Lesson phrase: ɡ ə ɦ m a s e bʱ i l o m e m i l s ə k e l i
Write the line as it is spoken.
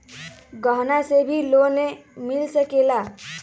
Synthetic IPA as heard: ɡ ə ɦ n a s e bʱ i l o n e m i l s ə k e l a